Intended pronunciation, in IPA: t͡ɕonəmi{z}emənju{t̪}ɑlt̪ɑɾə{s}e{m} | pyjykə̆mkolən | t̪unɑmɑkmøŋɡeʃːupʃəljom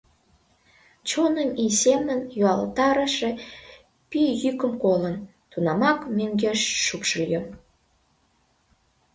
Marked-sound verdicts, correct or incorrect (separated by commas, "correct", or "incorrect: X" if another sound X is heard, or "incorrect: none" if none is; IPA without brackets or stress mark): incorrect: s, incorrect: none, incorrect: ʃ, incorrect: none